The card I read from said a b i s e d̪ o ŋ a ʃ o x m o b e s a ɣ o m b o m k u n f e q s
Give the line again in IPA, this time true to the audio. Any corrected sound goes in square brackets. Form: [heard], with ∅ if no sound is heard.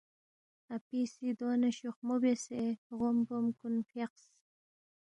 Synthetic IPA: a [p] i s [i] d̪ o [n] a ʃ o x m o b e s [e] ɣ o m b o m k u n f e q s